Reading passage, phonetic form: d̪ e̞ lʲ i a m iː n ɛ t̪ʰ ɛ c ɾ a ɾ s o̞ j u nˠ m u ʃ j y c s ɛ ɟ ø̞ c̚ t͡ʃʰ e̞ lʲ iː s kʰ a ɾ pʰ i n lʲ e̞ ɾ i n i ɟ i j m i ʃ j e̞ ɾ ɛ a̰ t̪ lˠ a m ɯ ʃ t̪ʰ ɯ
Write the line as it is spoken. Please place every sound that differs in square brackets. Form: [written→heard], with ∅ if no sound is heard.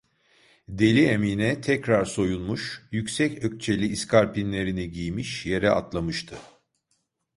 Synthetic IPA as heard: d̪ e̞ lʲ i [a→e] m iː n ɛ t̪ʰ ɛ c ɾ a ɾ s o̞ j u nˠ m u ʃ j y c s ɛ [ɟ→c] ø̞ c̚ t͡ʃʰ e̞ lʲ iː s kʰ a ɾ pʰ i n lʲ e̞ ɾ i n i ɟ i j m i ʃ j e̞ ɾ ɛ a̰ t̪ lˠ a m ɯ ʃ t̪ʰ ɯ